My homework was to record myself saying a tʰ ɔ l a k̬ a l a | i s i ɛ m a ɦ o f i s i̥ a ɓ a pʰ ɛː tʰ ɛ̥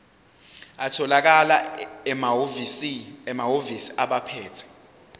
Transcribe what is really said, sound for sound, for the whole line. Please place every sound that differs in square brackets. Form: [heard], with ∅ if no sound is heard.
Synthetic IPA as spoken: a tʰ ɔ l a k̬ a l a | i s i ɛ m a ɦ o [v] i s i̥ a ɓ a pʰ ɛː tʰ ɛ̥